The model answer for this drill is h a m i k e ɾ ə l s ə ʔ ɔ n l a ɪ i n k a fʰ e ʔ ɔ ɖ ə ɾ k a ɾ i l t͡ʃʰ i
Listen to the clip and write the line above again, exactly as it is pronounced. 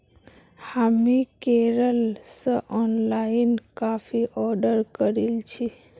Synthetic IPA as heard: h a m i k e ɾ ə l s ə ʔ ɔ n l a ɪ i n k a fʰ i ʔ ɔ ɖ ə ɾ k ə ɾ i l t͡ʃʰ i

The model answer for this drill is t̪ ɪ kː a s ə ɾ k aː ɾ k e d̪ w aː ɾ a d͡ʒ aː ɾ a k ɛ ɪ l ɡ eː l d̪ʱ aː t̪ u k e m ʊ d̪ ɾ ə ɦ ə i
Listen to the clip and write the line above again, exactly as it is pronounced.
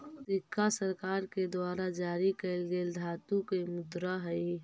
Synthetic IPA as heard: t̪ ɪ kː a s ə ɾ k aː ɾ k e d̪ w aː ɾ a d͡ʒ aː ɾ i k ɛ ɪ l ɡ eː l d̪ʱ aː t̪ u k e m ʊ d̪ ɾ a ɦ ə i

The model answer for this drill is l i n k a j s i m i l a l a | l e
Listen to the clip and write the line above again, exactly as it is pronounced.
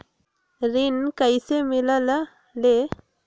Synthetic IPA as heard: ɾ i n k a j s e m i l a l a | l e

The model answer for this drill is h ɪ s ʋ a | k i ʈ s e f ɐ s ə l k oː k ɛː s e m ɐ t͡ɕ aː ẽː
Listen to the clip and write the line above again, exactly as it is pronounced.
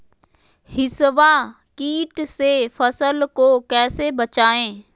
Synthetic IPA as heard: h ɪ s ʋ a | k iː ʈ s e f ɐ s ə l k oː k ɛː s e b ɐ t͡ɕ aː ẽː

